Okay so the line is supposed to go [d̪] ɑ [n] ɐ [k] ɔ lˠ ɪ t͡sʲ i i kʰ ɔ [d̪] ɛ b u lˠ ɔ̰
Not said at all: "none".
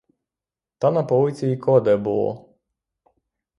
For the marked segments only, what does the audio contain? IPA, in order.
t̪, n, p, d̪

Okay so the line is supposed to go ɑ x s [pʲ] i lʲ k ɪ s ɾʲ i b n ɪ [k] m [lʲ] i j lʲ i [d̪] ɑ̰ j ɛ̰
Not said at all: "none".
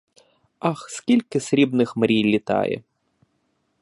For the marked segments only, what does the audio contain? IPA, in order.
kʲ, x, ɾʲ, t̪

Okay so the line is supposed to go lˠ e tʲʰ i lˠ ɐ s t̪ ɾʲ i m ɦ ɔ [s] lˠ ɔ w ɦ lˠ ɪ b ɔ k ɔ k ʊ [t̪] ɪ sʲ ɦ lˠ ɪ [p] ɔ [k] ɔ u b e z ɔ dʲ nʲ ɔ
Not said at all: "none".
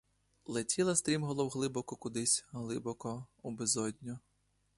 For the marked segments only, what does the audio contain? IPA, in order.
none, d̪, b, k

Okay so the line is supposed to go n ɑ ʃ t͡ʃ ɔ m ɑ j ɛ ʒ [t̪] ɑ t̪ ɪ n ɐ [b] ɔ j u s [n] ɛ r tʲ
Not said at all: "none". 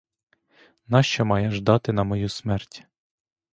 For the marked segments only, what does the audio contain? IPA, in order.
d̪, m, m

